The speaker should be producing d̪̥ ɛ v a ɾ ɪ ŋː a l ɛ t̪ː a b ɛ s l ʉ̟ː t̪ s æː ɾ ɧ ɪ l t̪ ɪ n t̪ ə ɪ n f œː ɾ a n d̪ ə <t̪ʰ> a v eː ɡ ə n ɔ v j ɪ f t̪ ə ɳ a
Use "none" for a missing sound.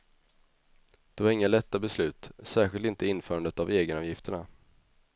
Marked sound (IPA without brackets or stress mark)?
t̪